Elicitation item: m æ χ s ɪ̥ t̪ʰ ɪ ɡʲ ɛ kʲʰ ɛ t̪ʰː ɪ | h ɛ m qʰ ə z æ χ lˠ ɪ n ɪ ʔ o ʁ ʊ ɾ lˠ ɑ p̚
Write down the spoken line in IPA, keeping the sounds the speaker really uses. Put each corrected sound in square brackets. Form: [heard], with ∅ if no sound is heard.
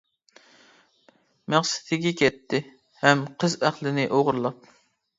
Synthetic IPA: m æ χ s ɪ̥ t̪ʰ ɪ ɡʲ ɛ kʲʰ ɛ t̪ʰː ɪ | h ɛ m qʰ ə z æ χ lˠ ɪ n ɪ ʔ o ʁ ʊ ɾ lˠ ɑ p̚